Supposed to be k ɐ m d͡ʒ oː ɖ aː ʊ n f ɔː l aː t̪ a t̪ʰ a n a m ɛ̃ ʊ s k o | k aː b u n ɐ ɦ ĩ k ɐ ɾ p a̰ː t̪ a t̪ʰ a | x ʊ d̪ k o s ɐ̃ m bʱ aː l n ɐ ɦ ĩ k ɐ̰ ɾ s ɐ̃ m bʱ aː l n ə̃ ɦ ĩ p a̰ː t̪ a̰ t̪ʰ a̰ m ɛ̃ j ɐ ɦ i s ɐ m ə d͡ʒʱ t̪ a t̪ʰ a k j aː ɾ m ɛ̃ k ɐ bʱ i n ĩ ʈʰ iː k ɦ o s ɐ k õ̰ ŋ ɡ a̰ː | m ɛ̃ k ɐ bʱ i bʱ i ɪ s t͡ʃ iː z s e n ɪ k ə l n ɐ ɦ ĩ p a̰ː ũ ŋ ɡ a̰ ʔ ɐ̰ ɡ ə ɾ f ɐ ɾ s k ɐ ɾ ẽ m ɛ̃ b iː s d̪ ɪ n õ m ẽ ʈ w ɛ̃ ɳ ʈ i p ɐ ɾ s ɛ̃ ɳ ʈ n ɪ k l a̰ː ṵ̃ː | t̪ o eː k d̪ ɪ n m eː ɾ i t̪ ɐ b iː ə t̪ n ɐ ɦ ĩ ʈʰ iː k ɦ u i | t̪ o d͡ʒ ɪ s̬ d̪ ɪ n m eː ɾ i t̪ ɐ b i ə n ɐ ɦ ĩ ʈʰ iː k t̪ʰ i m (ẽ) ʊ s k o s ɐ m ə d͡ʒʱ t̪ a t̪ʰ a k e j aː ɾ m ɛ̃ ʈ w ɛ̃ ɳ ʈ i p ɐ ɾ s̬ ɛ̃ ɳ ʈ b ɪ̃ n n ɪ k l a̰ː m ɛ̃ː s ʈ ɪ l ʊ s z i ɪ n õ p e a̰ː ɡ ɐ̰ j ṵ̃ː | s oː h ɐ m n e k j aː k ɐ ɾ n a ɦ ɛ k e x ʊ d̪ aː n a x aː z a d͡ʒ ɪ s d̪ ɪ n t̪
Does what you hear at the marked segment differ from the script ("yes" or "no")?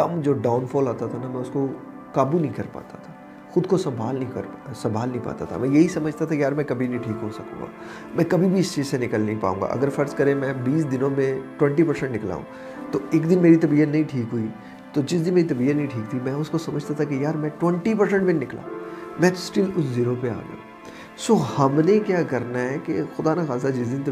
yes